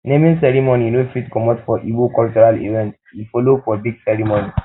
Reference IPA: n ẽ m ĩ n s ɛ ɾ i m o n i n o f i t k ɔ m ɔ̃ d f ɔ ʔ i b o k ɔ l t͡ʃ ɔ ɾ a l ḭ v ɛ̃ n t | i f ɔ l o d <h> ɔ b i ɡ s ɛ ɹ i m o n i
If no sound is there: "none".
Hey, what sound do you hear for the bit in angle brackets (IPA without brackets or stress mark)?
f